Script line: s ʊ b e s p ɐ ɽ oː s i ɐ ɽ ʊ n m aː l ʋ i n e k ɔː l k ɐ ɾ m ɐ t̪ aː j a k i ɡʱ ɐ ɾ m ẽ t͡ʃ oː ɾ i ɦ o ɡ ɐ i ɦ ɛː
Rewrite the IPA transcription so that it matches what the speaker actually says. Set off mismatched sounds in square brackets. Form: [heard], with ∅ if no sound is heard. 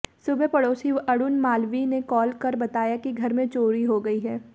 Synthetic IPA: s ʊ b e [∅] p ɐ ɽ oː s i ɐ ɽ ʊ n m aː l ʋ i n e k ɔː l k ɐ ɾ [b] ɐ t̪ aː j a k i ɡʱ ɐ ɾ m ẽ t͡ʃ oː ɾ i ɦ o ɡ ɐ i ɦ ɛː